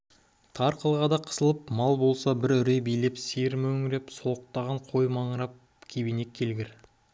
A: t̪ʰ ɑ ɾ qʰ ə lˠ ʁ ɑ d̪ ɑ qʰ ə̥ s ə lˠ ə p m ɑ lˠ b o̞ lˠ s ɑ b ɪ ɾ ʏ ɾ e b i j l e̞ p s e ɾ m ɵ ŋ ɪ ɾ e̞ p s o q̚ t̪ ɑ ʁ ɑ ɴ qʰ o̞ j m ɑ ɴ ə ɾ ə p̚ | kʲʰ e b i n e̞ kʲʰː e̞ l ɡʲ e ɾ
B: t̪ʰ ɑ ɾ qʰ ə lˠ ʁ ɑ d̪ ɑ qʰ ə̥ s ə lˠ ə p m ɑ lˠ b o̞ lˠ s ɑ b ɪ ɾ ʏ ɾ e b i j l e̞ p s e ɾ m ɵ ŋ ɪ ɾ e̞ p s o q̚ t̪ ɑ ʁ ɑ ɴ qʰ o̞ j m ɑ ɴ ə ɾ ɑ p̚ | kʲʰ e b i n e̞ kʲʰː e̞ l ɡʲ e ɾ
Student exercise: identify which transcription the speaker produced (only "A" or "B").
B